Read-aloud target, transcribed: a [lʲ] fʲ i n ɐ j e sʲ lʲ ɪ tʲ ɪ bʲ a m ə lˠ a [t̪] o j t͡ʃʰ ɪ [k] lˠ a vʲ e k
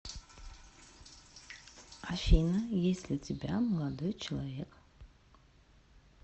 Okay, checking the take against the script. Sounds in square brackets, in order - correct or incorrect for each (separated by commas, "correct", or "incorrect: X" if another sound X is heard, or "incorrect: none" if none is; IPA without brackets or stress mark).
incorrect: none, incorrect: d̪, incorrect: none